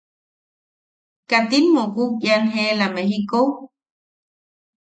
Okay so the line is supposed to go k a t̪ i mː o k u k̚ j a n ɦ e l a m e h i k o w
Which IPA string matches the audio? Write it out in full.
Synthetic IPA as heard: k a t̪ i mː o k u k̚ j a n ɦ e l a m e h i k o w

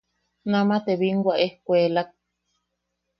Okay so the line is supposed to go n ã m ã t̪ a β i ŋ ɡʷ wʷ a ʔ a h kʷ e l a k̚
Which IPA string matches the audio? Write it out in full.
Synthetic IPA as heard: n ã m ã t̪ e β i ŋ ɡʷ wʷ a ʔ e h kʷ e l a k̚

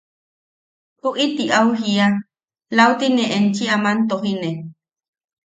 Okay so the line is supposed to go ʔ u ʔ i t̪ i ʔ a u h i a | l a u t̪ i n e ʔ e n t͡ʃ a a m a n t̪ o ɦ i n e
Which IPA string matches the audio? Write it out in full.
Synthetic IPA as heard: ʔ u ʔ i t̪ i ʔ a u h i a | l a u t̪ i n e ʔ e n t͡ʃ i a m a n t̪ o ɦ i n e

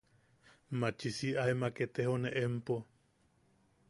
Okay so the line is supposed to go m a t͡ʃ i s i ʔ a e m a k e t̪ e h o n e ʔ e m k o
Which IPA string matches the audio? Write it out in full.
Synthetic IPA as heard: m a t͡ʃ i s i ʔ a e m a k e t̪ e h o n e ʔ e m p o

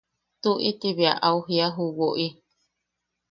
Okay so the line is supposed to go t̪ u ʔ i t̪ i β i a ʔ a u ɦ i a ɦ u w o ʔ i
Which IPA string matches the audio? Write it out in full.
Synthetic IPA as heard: t̪ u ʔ i t̪ i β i a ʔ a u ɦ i a ɦ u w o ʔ i

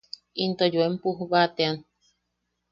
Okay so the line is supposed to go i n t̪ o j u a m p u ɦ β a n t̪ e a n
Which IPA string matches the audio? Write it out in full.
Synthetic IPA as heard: i n t̪ o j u e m p u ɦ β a t̪ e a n

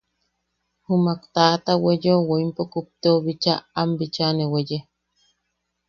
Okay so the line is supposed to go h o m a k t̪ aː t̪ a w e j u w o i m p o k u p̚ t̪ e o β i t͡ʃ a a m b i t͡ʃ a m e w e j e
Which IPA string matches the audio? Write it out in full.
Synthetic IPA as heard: h u m a k t̪ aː t̪ a w e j o w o i m p o k u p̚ t̪ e o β i t͡ʃ a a m b i t͡ʃ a n e w e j e

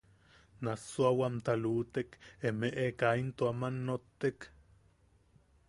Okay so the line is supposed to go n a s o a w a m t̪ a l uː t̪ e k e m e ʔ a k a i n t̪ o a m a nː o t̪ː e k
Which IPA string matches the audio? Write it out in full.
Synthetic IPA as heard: n a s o a w a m t̪ a l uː t̪ e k e m e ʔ e k a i n t̪ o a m a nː o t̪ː e k

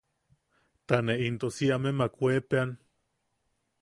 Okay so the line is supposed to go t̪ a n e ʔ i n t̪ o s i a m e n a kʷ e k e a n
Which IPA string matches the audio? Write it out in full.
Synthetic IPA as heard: t̪ a n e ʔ i n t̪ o s i a m e m a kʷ e p e a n

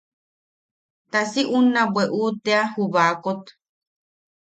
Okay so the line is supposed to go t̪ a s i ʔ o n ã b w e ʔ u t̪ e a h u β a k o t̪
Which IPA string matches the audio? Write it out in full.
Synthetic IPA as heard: t̪ a s i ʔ u n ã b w e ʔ u t̪ e a h u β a k o t̪

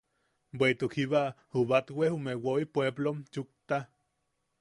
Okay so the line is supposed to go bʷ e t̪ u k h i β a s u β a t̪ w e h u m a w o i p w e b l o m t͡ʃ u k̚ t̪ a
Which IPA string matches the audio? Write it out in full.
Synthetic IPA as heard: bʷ e t̪ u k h i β a h u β a t̪ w e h u m e w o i p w e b l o m t͡ʃ u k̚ t̪ a

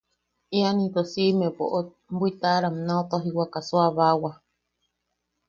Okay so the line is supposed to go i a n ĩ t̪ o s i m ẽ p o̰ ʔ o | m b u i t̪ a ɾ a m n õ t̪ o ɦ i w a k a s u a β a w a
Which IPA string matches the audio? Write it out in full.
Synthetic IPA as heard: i a n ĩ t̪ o s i m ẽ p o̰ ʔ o | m b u i t̪ a ɾ a m n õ t̪ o ɦ i w a k a s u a β a w a

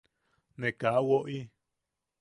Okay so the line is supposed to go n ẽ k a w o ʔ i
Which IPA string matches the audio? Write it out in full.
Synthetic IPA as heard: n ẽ k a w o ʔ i

